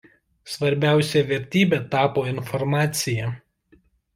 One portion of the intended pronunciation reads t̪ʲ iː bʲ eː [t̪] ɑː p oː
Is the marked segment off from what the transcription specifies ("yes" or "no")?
no